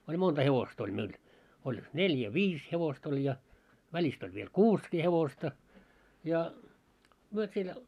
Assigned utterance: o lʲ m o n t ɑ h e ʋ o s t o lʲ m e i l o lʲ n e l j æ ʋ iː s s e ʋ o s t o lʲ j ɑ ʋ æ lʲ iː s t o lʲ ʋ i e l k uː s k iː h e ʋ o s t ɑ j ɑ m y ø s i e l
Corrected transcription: o lʲ m o n t ɑ h e ʋ o s t o lʲ m e i l o lʲ n e l j æ ʋ iː s h e ʋ o s t o lʲ j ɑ ʋ æ lʲ i s t o lʲ ʋ i e l k uː s k iː h e ʋ o s t ɑ j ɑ m y ø s i e l